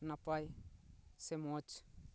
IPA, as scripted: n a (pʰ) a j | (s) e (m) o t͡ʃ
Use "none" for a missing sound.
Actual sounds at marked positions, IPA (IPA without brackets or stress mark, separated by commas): p, s, m